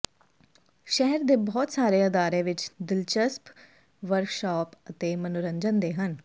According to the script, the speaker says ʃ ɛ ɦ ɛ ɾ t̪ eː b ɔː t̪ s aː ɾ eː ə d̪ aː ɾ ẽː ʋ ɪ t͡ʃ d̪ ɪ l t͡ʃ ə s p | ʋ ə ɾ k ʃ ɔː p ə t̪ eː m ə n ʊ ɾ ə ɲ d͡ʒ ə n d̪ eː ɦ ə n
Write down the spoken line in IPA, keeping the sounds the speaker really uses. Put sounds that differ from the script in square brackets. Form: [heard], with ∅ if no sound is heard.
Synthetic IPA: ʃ ɛ ɦ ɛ ɾ [d̪] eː b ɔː t̪ s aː ɾ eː ə d̪ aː ɾ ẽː ʋ ɪ t͡ʃ d̪ ɪ l t͡ʃ ə s p | ʋ ə ɾ k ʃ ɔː p ə t̪ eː m ə n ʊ ɾ ə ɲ d͡ʒ ə n d̪ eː ɦ ə n